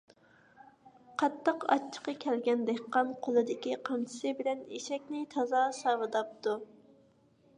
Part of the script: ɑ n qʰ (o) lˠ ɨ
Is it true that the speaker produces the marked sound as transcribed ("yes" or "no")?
yes